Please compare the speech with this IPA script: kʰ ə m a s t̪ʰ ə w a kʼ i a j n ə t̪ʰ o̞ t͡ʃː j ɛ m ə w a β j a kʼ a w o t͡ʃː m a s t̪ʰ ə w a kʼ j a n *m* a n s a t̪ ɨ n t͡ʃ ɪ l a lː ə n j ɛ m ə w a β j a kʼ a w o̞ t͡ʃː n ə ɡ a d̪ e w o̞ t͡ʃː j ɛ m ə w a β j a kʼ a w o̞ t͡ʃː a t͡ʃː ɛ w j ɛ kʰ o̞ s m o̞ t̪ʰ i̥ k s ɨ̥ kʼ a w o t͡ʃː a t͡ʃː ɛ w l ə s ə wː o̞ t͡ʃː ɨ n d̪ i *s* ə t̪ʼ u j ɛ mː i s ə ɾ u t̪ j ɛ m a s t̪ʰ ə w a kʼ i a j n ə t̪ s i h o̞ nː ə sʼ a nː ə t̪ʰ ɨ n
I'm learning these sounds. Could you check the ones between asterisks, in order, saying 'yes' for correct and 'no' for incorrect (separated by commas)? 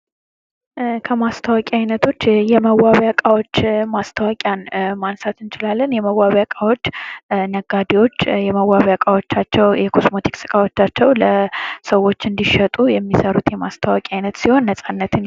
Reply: yes, no